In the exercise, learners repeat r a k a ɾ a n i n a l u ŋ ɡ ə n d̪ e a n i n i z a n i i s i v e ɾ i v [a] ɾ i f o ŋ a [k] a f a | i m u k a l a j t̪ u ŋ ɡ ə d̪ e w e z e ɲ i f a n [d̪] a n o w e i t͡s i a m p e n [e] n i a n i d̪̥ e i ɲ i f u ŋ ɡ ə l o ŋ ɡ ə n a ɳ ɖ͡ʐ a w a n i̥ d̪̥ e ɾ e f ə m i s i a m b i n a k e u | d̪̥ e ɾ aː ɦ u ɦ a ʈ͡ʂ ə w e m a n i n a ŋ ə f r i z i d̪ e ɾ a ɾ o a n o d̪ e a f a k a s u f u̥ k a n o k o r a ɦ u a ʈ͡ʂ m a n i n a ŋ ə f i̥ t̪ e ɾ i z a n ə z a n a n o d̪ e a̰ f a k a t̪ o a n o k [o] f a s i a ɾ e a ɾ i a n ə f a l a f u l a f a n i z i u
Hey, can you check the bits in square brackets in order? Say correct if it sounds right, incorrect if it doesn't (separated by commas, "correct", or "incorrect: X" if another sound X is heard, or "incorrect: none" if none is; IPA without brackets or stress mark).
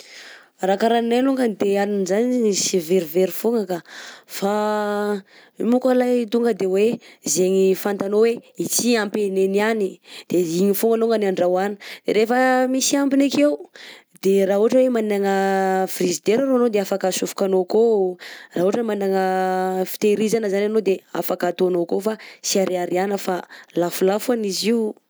incorrect: e, correct, incorrect: t̪, correct, correct